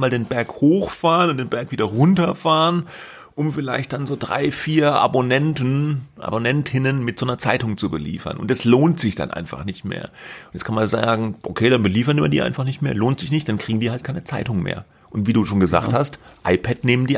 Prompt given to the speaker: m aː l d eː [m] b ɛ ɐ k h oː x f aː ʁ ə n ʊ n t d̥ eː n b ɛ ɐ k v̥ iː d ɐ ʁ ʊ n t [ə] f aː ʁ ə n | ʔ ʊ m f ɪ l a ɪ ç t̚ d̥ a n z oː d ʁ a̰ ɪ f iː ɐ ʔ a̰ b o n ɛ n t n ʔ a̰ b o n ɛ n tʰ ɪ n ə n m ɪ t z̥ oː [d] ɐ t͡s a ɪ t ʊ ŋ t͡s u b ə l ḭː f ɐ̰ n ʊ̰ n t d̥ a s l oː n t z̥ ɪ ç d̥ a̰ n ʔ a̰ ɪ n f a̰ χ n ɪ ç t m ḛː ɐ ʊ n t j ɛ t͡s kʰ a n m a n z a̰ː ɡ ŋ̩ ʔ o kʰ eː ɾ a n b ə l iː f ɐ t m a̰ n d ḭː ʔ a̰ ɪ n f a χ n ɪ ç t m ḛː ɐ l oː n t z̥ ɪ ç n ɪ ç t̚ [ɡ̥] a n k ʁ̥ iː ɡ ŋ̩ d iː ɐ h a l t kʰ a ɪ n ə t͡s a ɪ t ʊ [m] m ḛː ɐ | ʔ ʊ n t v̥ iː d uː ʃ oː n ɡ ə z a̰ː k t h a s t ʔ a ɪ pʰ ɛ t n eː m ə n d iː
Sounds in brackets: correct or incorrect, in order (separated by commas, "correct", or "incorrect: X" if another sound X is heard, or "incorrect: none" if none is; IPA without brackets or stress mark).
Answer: incorrect: n, incorrect: ɐ, incorrect: n, incorrect: d̥, incorrect: ŋ